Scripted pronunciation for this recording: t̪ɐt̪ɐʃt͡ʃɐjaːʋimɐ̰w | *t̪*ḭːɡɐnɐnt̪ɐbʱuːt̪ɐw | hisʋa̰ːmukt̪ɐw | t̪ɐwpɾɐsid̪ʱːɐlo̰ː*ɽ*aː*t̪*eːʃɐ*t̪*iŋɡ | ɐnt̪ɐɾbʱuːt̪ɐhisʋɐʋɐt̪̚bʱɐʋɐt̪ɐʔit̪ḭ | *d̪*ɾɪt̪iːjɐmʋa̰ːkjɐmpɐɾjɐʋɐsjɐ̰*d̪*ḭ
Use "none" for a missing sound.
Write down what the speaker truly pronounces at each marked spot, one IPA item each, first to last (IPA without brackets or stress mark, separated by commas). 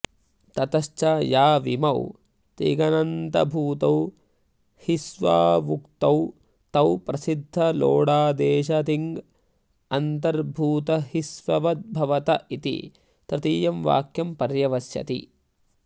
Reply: t̪, ɽ, d̪, t̪, t̪, t̪